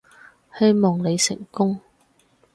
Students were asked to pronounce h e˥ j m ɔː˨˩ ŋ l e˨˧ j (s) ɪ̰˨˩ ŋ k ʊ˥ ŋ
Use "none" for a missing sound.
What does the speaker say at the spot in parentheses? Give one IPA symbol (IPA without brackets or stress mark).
s